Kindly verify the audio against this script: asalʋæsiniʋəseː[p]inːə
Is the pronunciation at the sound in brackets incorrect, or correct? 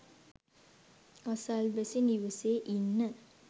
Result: incorrect